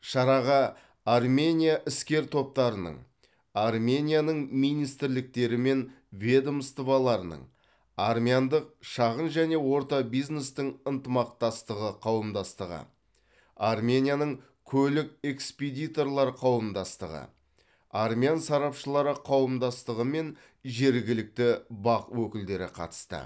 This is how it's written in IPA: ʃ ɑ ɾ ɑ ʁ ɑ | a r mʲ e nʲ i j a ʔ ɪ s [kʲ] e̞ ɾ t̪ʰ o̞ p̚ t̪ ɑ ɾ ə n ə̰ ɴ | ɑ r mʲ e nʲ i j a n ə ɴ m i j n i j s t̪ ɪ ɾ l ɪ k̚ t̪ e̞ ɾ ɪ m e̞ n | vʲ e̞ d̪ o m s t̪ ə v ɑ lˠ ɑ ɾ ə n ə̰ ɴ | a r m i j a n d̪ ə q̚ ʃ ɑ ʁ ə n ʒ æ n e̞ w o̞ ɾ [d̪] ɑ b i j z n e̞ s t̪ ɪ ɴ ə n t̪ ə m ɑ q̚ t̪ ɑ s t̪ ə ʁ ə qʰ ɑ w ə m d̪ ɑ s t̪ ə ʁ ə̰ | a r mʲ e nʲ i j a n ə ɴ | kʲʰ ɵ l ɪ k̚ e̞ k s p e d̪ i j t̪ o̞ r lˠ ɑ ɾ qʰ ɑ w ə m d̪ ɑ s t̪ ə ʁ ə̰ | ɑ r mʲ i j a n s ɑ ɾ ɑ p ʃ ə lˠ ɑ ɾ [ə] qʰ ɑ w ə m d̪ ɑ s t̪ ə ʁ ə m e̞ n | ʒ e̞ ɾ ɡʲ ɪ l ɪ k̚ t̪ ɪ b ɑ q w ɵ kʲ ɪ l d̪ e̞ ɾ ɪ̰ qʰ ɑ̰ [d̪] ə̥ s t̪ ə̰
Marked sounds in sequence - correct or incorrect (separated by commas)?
correct, incorrect, correct, incorrect